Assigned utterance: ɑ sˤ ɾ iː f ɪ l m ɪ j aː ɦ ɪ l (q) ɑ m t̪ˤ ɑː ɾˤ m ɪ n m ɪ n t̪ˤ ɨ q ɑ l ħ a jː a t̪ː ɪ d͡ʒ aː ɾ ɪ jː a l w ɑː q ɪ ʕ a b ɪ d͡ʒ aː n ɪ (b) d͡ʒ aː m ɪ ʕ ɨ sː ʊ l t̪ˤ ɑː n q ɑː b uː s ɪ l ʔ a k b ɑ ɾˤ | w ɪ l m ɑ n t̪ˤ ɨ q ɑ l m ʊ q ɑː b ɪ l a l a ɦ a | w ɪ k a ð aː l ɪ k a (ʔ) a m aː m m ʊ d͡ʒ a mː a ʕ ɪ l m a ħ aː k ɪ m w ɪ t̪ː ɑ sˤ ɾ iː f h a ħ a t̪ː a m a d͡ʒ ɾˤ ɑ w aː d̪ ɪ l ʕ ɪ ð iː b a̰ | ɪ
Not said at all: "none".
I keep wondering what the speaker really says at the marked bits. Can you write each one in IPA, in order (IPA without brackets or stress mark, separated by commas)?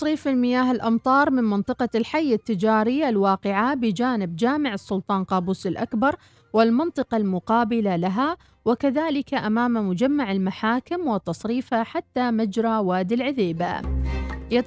ʔ, b, ʔ